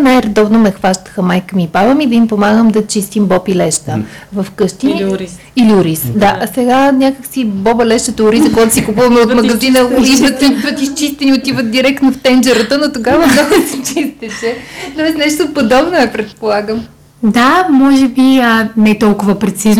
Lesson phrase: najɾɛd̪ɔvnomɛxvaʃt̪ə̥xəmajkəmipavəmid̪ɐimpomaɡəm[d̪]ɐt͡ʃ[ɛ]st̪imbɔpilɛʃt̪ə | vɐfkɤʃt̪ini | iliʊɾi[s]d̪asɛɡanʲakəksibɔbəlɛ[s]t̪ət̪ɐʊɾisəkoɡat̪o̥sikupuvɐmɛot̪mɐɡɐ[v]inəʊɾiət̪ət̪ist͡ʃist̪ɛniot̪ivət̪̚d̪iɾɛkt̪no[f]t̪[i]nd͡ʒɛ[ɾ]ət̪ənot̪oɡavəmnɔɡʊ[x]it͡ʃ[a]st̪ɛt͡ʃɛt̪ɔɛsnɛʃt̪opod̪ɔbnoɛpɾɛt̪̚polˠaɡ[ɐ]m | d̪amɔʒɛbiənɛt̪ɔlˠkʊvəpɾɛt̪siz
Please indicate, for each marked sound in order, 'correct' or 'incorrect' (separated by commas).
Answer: correct, incorrect, correct, incorrect, incorrect, correct, incorrect, correct, incorrect, incorrect, incorrect